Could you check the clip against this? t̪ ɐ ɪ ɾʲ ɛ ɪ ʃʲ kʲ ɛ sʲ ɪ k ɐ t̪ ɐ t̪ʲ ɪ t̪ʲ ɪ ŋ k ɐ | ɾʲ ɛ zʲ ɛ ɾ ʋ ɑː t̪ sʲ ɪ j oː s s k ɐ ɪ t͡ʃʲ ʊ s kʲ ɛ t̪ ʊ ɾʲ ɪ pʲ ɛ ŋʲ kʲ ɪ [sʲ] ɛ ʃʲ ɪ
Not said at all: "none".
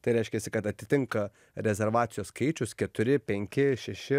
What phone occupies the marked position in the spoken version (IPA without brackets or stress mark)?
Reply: ʃʲ